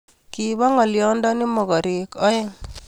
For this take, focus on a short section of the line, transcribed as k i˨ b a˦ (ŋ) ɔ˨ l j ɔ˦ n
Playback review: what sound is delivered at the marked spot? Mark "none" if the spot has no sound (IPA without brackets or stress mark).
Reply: ŋ